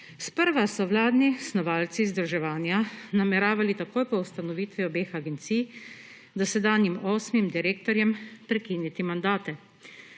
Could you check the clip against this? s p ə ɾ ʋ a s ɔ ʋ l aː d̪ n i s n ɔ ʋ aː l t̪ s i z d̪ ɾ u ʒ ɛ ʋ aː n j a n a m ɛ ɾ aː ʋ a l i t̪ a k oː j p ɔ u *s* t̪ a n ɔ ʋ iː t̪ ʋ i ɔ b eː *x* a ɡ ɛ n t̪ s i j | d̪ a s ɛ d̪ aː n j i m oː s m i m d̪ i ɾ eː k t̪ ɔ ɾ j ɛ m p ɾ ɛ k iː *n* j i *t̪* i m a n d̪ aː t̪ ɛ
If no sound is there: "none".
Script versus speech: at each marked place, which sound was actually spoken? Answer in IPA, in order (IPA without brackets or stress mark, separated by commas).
s, x, n, t̪